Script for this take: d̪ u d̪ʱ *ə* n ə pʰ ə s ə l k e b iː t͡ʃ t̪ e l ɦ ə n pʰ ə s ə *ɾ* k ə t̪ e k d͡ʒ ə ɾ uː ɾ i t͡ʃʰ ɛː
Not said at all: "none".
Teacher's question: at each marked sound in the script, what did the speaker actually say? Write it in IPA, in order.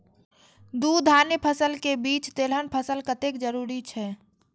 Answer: a, l

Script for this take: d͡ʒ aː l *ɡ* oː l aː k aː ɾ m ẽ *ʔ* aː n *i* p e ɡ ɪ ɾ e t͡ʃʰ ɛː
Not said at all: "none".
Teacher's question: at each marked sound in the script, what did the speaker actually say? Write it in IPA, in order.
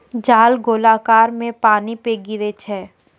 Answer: ɡ, p, i

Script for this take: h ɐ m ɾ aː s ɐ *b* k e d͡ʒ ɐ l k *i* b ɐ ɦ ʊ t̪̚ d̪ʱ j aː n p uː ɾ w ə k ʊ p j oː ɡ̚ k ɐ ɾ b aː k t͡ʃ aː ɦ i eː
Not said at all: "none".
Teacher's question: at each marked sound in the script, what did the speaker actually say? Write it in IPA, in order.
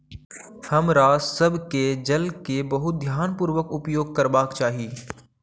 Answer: b, e

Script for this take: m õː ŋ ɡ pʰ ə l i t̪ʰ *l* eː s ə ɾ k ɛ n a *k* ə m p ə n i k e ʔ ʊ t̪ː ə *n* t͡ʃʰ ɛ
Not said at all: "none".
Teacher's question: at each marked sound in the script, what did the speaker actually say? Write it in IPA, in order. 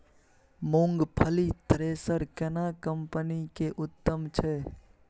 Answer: ɾ, k, m

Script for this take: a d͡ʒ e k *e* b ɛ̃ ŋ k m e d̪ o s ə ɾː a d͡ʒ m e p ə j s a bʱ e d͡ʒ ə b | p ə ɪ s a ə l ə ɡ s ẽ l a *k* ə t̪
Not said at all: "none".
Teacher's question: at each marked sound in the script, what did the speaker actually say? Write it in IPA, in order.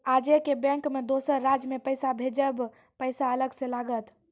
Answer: e, ɡ

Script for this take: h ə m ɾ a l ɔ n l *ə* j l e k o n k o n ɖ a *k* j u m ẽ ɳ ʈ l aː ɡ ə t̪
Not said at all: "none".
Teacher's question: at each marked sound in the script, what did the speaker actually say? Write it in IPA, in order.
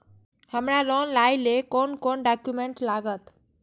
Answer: a, k

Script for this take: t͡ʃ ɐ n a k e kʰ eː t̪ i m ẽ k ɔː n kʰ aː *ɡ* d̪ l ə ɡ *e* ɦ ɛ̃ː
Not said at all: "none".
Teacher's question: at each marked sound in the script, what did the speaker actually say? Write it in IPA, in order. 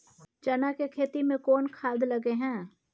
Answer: none, e

